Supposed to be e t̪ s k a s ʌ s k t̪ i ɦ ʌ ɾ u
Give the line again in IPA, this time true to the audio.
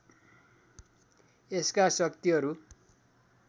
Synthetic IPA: e s k a s ʌ k t̪ i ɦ ʌ ɾ u